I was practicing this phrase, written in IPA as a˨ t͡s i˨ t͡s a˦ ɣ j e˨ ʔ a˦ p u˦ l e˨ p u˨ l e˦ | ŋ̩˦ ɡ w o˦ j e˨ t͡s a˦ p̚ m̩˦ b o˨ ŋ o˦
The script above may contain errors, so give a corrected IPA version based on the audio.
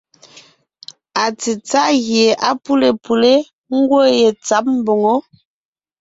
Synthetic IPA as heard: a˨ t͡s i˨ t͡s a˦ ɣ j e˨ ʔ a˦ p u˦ l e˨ p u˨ l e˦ | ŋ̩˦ ɡ w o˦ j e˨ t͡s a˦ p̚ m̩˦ b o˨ ŋ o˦

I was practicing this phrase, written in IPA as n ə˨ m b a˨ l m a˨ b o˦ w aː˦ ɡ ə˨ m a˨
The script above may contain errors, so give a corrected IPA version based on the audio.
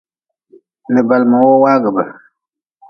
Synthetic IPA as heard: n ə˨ b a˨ l m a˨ w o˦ w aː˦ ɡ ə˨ b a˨

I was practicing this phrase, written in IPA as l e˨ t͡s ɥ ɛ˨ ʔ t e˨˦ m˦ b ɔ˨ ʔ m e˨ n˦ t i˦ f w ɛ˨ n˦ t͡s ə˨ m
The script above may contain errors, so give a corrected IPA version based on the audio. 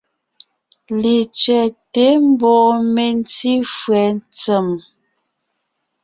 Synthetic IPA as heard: l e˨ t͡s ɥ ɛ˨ t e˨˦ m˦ b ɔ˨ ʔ m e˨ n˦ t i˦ f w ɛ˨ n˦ t͡s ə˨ m

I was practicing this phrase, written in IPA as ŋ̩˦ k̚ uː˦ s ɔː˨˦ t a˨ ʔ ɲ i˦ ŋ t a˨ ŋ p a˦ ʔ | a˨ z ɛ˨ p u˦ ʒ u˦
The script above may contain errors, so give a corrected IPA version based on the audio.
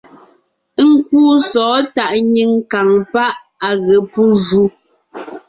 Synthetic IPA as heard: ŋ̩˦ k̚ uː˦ s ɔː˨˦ t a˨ ʔ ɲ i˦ ŋ k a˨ ŋ p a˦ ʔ | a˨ ɣ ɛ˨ p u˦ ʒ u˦

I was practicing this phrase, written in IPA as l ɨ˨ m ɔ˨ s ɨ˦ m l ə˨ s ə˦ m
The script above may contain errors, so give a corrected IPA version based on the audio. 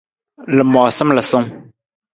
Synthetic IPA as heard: l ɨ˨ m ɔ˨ s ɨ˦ m l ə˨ s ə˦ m

